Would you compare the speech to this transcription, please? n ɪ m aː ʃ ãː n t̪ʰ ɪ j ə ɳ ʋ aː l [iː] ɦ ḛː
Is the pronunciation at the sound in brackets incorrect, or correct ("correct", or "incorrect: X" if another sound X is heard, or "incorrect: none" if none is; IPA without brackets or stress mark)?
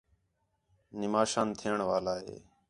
incorrect: aː